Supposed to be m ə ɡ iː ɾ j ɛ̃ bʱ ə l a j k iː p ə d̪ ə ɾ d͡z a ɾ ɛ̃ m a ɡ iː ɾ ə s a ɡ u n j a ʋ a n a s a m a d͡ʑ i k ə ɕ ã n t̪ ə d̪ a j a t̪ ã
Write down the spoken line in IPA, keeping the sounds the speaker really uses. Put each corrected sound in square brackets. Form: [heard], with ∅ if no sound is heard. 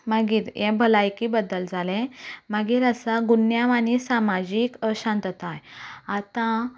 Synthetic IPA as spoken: m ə ɡ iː ɾ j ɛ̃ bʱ ə l a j k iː [b] ə d̪ ə [l] d͡z a [l] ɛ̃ m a ɡ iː ɾ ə s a ɡ u n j a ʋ a n [i] s a m a d͡ʑ i k ə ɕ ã n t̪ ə [t̪] a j a t̪ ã

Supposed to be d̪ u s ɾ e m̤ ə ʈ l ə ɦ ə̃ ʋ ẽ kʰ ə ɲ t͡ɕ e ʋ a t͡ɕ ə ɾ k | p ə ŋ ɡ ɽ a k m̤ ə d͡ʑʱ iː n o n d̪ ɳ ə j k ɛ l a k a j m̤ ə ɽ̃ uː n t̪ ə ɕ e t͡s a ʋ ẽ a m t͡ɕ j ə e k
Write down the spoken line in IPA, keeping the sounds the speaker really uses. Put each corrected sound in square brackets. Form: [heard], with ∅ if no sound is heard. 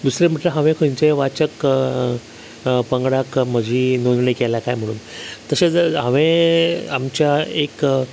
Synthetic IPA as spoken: d̪ u s ɾ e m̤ ə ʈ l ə ɦ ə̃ ʋ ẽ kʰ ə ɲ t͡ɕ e ʋ a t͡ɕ ə [∅] k | p ə ŋ ɡ ɽ a k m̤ ə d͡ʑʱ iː n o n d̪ ɳ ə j k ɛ l a k a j m̤ ə ɽ̃ uː n t̪ ə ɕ e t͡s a ʋ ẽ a m t͡ɕ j [a] e k

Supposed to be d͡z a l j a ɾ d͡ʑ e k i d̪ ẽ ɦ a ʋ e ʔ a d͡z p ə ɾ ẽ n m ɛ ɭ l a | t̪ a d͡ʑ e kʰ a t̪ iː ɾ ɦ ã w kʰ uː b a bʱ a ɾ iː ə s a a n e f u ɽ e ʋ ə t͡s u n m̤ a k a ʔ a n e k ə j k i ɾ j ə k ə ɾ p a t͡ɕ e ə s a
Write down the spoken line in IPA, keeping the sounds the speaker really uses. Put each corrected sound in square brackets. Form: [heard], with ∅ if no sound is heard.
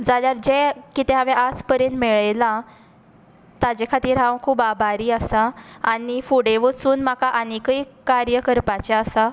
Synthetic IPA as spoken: d͡z a l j a ɾ d͡ʑ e k i [t̪] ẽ ɦ a ʋ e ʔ a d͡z p ə ɾ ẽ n m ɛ ɭ l a | t̪ a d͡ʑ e kʰ a t̪ iː ɾ ɦ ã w kʰ uː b a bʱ a ɾ iː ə s a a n [i] f u ɽ e ʋ ə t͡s [uː] n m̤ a k a ʔ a n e k ə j k [a] ɾ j ə k ə ɾ p a t͡ɕ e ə s a

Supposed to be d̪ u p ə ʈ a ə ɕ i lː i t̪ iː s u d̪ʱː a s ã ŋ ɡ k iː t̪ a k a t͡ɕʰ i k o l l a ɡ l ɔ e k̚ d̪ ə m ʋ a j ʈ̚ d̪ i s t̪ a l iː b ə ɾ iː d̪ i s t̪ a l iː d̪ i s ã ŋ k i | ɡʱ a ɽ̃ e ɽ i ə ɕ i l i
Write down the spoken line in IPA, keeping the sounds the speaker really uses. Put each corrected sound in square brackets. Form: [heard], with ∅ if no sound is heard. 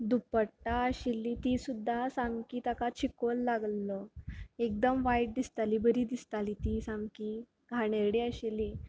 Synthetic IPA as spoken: d̪ u p ə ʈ a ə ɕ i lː i t̪ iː s u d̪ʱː a s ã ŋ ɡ k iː t̪ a k a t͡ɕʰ i k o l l a ɡ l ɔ e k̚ d̪ ə m ʋ a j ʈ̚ d̪ i s t̪ a l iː b ə ɾ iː d̪ i s t̪ a l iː [t̪] i s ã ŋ k i | ɡʱ a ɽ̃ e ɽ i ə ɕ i l i

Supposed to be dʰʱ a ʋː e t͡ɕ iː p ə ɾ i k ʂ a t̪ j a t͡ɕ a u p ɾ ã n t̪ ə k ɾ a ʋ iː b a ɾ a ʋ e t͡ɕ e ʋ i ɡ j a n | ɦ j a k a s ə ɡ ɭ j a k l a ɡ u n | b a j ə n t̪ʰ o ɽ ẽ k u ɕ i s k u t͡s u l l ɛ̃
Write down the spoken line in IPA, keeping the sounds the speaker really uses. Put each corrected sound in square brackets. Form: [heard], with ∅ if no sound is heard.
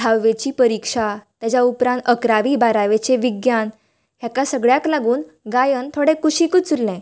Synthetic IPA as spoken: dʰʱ a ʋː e t͡ɕ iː p ə ɾ i k ʂ a t̪ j a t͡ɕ a u p ɾ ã n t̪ ə k ɾ a ʋ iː b a ɾ a ʋ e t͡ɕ e ʋ i ɡ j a n | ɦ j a k a s ə ɡ ɭ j a k l a ɡ [uː] n | [ɡ] a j ə n t̪ʰ o ɽ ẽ k u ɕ i [∅] k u t͡s u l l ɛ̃

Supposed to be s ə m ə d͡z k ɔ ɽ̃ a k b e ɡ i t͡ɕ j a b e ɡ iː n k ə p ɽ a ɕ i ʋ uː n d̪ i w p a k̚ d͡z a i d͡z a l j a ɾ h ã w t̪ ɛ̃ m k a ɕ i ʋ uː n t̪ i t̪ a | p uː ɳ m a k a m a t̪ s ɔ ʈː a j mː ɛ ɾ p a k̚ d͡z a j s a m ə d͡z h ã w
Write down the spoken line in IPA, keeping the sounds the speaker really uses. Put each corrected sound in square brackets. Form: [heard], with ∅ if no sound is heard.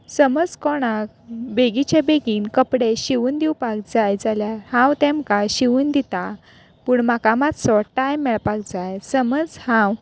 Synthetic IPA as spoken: s ə m ə d͡z k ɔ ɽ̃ a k b e ɡ i t͡ɕ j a b e ɡ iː n k ə p ɽ [e] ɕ i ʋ uː n d̪ i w p a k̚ d͡z a [j] d͡z a l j a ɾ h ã w t̪ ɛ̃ m k a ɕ i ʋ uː n [d̪] i t̪ a | p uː ɳ m a k a m a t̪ s ɔ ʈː a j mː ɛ [ɭ] p a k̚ d͡z a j s [ə] m ə d͡z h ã w

